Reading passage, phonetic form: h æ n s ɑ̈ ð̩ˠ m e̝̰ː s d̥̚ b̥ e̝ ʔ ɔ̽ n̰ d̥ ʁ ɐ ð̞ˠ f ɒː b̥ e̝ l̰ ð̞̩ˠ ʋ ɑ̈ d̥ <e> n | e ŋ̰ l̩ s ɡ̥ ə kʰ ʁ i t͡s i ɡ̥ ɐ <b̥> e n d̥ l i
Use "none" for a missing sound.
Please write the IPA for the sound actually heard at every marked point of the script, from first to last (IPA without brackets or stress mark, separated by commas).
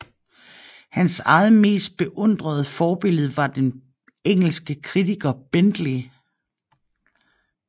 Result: e, b̥